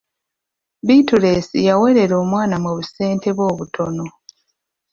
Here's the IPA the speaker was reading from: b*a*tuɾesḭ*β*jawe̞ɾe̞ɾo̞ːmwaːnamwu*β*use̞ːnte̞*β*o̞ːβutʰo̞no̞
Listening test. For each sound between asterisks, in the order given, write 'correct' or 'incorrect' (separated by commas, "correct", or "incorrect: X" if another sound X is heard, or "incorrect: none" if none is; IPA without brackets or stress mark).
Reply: incorrect: i, incorrect: none, correct, correct